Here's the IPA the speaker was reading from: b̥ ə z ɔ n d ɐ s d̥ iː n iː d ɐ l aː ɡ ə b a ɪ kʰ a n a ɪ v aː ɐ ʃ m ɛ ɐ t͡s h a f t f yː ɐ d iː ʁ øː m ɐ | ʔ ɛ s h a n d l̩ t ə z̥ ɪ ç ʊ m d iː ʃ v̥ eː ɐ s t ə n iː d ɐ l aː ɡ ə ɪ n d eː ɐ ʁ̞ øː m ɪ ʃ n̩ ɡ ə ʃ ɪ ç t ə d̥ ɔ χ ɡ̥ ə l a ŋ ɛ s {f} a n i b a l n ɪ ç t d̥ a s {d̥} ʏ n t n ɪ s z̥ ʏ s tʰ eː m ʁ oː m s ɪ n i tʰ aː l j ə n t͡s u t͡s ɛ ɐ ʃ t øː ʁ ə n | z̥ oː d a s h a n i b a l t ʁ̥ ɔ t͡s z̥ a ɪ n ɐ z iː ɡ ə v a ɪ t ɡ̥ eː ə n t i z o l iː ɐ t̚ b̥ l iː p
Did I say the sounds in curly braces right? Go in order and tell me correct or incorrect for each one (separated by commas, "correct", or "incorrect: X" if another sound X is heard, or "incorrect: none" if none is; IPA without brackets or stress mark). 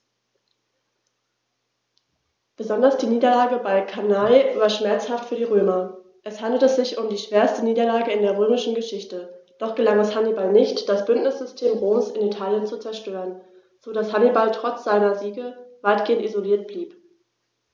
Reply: incorrect: h, incorrect: b̥